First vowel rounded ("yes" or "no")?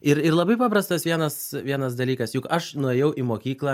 no